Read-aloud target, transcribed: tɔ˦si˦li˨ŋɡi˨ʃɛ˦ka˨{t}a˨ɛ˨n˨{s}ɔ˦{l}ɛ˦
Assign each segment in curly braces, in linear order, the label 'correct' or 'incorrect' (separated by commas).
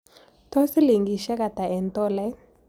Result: correct, incorrect, correct